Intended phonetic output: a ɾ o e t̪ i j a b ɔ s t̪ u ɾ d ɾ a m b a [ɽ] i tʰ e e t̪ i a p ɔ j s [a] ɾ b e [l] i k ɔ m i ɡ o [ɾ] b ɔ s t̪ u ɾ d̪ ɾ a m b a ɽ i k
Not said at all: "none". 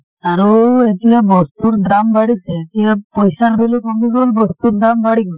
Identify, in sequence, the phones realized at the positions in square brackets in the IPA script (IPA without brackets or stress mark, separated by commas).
ɽ, a, l, l